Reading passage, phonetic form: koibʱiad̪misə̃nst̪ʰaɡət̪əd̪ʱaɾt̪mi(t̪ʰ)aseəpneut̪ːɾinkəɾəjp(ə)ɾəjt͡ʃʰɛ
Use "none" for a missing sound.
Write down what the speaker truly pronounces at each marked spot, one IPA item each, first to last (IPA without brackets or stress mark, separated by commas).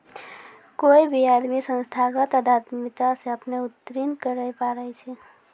t̪, a